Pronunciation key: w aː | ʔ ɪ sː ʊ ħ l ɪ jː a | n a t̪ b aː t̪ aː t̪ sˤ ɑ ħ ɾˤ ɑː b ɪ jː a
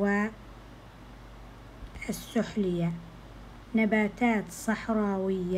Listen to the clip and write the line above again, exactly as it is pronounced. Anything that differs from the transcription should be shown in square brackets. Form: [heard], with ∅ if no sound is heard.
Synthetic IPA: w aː | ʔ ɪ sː ʊ ħ l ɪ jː a | n a [∅] b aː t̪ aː t̪ sˤ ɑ ħ ɾˤ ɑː [w] ɪ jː a